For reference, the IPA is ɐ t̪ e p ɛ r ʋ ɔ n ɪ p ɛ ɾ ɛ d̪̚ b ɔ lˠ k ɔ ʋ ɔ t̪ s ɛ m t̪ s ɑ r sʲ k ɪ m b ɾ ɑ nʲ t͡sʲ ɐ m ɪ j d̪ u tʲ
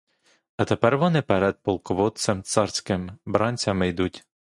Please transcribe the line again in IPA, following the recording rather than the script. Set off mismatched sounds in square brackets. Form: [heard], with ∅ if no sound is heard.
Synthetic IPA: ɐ t̪ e p ɛ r ʋ ɔ n ɪ p ɛ ɾ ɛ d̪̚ [p] ɔ lˠ k ɔ ʋ ɔ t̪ s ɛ m t̪ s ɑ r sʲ k ɪ m b ɾ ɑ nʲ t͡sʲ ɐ m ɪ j d̪ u tʲ

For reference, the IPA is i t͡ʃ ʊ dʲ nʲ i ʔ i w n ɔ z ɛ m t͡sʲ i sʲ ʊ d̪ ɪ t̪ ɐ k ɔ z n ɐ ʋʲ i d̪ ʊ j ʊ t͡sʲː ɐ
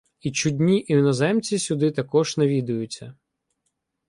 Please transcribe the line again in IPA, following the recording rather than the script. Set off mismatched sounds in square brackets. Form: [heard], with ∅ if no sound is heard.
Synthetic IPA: i t͡ʃ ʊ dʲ nʲ i ʔ i w n ɔ z ɛ m t͡sʲ i sʲ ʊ d̪ ɪ t̪ ɐ k ɔ [ʒ] n ɐ ʋʲ i d̪ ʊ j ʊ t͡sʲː ɐ

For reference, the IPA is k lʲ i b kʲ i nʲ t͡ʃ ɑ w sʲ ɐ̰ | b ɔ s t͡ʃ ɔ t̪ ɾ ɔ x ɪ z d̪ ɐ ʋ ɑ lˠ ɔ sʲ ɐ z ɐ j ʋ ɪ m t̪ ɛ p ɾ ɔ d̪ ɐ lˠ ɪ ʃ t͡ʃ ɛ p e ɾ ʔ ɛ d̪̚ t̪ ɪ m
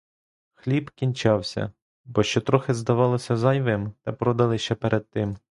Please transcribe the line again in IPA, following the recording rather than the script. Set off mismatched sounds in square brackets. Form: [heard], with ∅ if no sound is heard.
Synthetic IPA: [x] lʲ i b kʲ i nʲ t͡ʃ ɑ w sʲ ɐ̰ | b ɔ [ʃ] t͡ʃ ɔ t̪ ɾ ɔ x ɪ z d̪ ɐ ʋ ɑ lˠ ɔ sʲ ɐ z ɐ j ʋ ɪ m t̪ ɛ p ɾ ɔ d̪ ɐ lˠ ɪ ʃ t͡ʃ ɛ p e ɾ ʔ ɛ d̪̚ t̪ ɪ m

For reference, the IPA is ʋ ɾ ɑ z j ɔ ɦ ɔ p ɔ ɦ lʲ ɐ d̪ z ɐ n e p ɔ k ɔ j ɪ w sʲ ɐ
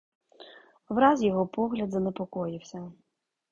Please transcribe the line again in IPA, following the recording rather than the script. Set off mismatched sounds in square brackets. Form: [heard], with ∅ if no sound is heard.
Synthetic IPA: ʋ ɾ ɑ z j ɔ ɦ ɔ p ɔ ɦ lʲ ɐ d̪ z ɐ n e p ɔ k ɔ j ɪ w sʲ ɐ

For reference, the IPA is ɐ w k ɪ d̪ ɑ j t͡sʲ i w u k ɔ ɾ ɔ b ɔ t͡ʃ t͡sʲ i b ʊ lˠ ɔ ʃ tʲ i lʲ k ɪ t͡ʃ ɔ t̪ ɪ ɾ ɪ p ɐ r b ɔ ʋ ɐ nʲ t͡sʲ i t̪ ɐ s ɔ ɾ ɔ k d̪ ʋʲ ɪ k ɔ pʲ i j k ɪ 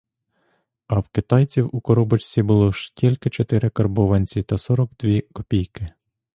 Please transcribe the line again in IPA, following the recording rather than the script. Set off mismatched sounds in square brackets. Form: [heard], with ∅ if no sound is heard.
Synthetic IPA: ɐ w k ɪ [t̪] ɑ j t͡sʲ i w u k ɔ ɾ ɔ b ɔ t͡ʃ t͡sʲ i b ʊ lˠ ɔ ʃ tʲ i lʲ k ɪ t͡ʃ ɔ t̪ ɪ ɾ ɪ [k] ɐ r b ɔ ʋ ɐ nʲ t͡sʲ i t̪ ɐ s ɔ ɾ ɔ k d̪ ʋʲ [i] k ɔ pʲ i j k ɪ

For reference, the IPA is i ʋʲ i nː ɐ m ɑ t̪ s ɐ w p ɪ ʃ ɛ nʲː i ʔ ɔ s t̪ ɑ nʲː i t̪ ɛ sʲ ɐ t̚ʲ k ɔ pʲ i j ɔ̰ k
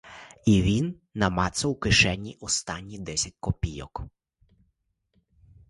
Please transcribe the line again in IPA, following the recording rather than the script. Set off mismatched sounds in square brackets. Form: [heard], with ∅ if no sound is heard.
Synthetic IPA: i ʋʲ i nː ɐ m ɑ t̪ s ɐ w [k] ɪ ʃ ɛ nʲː i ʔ ɔ s t̪ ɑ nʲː i [d̪] ɛ sʲ ɐ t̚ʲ k ɔ pʲ i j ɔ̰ k

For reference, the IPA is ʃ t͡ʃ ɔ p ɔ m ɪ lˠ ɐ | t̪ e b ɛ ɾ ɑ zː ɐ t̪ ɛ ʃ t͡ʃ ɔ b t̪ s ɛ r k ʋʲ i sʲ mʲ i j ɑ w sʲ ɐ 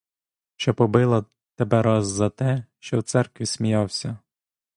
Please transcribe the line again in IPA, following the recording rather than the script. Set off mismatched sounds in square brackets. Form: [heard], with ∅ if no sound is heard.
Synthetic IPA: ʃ t͡ʃ ɔ p ɔ [b] ɪ lˠ ɐ | t̪ e b ɛ ɾ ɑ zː ɐ t̪ ɛ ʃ t͡ʃ ɔ [w] t̪ s ɛ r k ʋʲ i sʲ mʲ i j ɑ w sʲ ɐ

